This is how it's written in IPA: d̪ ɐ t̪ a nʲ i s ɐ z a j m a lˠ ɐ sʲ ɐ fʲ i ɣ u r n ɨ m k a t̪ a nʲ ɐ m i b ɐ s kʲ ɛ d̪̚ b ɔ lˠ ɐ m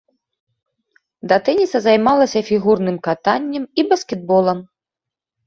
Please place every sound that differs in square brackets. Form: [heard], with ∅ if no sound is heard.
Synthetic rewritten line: d̪ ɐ t̪ [ɛ] nʲ i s ɐ z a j m a lˠ ɐ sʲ ɐ fʲ i ɣ u r n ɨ m k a t̪ a [nʲː] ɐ m i b ɐ s kʲ ɛ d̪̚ b ɔ lˠ ɐ m